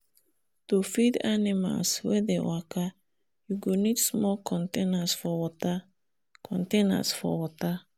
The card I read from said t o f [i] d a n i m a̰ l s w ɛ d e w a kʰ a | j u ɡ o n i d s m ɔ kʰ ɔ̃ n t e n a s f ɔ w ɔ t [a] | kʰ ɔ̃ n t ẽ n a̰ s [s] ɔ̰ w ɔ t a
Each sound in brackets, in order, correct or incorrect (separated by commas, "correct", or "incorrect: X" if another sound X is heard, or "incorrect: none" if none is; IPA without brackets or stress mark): correct, correct, incorrect: f